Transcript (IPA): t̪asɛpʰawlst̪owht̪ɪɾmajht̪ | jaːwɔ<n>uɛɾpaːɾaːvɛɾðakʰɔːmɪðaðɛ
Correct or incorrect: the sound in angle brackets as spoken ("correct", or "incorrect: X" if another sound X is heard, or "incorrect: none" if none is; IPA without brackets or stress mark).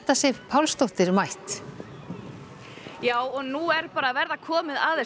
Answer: correct